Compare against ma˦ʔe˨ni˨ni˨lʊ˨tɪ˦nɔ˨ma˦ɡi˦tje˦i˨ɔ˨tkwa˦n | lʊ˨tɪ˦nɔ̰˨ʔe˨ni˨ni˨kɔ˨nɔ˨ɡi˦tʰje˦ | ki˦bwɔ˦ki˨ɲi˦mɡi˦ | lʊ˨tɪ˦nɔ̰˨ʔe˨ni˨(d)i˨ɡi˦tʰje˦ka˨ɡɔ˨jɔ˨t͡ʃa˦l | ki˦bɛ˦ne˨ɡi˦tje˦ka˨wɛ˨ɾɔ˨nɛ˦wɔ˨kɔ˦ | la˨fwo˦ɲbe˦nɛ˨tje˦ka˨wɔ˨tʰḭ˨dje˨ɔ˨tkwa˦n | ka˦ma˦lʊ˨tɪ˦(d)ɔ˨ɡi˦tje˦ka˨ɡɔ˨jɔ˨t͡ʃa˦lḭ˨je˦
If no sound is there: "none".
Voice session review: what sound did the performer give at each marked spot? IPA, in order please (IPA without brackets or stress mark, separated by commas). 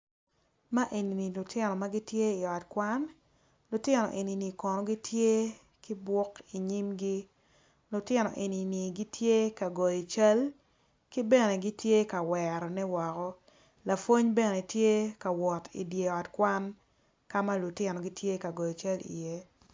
n, n